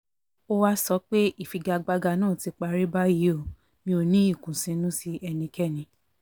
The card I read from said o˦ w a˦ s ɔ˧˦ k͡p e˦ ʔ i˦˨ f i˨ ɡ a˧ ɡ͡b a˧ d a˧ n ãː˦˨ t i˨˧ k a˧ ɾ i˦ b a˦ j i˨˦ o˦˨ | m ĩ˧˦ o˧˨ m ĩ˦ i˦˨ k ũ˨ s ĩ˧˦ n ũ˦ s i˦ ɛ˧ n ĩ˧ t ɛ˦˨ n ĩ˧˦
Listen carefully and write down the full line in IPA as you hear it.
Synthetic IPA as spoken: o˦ w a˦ s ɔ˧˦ k͡p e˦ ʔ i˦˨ f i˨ ɡ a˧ ɡ͡b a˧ ɡ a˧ n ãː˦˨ t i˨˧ k͡p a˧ ɾ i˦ b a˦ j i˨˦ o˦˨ | m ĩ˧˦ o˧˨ n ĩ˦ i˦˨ k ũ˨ s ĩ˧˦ n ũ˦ s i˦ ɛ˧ n ĩ˧ k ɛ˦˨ n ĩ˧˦